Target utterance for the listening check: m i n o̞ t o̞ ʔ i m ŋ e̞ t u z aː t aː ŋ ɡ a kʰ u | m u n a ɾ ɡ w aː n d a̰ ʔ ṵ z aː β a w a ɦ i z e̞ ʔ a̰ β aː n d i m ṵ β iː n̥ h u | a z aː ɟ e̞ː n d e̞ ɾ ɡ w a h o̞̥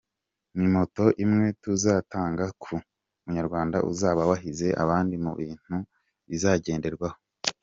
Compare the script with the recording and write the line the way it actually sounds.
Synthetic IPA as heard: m i m o̞ t o̞ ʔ i m ŋ e̞ t u z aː t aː ŋ ɡ a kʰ u | m u ɲ a ɾ ɡ w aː n d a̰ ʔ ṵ z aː β a w a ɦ i z e̞ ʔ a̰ β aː n d i m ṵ β iː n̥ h u | i z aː ɟ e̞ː n d e̞ ɾ ɡ w a h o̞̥